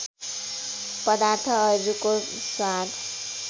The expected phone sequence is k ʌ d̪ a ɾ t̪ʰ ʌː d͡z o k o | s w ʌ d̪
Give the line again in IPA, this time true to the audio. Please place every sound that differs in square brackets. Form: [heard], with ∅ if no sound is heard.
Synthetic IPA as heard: [p] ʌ d̪ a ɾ t̪ʰ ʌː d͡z [u] k o | s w [a] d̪